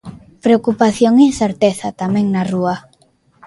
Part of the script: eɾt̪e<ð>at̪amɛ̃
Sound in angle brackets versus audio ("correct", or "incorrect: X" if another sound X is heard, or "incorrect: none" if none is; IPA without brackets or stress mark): incorrect: θ